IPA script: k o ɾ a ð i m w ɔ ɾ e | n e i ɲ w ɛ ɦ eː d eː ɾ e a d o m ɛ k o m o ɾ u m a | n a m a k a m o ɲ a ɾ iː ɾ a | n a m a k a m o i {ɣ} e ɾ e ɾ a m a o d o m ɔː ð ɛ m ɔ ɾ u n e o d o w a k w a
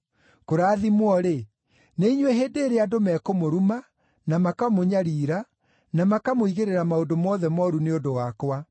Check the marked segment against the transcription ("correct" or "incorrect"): correct